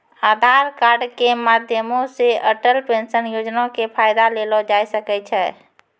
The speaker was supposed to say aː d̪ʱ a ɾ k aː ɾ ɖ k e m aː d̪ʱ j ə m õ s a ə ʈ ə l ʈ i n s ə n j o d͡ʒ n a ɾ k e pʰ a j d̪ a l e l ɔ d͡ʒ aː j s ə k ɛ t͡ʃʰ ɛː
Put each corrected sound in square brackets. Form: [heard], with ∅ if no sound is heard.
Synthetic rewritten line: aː d̪ʱ a ɾ k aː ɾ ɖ k e m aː d̪ʱ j ə m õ s [e] ə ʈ ə l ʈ [e] n s ə n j o d͡ʒ n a [∅] k e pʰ a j d̪ a l e l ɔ d͡ʒ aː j s ə k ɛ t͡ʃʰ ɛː